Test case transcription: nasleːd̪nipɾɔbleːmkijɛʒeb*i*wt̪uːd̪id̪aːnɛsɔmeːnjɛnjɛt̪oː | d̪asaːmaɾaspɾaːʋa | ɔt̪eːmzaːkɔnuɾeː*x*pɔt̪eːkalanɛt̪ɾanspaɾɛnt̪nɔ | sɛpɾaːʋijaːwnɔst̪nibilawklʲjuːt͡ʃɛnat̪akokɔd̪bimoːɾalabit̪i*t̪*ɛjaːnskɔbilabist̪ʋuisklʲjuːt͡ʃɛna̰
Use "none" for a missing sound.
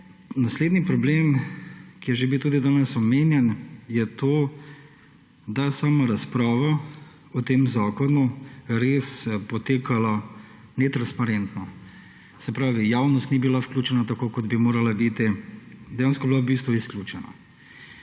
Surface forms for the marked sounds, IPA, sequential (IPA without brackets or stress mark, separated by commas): i, s, d̪